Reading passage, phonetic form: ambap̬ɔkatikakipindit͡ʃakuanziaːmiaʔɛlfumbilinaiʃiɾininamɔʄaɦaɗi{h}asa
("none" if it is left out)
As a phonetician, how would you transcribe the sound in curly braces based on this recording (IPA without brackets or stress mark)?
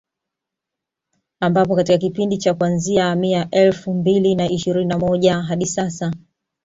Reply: s